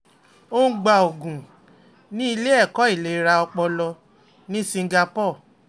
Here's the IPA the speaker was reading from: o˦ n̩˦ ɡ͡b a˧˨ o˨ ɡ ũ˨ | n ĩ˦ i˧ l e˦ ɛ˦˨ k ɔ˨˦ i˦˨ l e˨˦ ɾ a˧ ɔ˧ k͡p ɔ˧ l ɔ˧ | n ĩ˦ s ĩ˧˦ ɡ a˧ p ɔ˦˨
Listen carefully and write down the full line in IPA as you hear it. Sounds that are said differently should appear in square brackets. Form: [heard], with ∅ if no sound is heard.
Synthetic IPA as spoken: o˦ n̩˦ ɡ͡b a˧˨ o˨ ɡ ũ˨ | n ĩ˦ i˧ l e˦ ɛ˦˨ k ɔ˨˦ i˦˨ l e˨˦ ɾ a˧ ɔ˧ k͡p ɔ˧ l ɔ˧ | n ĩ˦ s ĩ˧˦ ɡ a˧ p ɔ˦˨